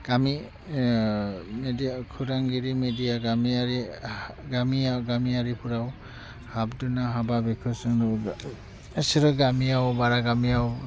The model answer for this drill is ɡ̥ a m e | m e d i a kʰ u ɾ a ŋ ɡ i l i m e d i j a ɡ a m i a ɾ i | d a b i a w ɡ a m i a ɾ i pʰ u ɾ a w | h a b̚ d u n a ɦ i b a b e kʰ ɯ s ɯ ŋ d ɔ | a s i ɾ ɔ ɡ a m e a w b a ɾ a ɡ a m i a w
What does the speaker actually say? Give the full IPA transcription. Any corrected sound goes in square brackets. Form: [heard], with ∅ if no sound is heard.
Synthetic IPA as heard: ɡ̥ a m [i] | m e d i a kʰ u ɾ a ŋ ɡ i [ɾ] i m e d i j a ɡ a m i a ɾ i | [ɡ] a [m] i a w ɡ a m i a ɾ i pʰ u ɾ a w | h a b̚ d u n a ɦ [a] b a b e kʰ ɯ s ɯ ŋ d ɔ | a s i ɾ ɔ ɡ a m [i] a w b a ɾ a ɡ a m i a w